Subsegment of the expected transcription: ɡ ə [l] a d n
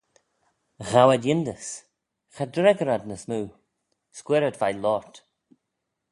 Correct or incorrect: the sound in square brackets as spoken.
incorrect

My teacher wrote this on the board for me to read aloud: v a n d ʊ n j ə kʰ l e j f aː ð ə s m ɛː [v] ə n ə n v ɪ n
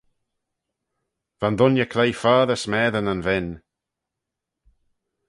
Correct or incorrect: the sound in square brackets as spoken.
incorrect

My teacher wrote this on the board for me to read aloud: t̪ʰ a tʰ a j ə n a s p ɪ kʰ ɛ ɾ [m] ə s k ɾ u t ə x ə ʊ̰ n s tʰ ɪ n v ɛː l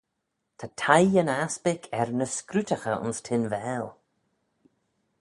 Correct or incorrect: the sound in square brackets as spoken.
incorrect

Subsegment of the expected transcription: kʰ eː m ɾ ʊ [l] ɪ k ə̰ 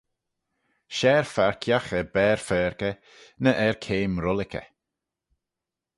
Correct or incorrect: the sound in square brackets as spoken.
correct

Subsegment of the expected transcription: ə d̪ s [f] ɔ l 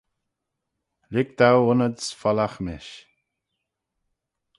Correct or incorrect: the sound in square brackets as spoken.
correct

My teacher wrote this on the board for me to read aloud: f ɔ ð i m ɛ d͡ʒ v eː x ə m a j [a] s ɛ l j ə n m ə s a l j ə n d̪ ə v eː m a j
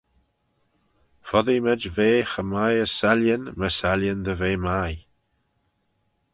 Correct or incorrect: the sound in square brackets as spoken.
incorrect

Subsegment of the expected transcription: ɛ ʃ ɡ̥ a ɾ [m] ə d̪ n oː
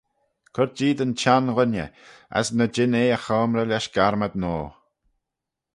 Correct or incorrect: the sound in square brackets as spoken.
correct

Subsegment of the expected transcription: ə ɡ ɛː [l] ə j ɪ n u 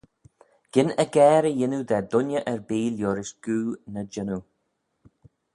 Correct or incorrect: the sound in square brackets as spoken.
incorrect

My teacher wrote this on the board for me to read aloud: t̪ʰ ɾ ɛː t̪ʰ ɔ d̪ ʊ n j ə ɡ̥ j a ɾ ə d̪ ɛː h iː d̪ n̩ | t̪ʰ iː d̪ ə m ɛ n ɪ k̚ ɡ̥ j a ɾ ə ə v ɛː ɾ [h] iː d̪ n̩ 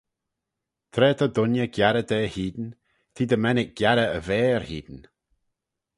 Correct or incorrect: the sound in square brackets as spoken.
correct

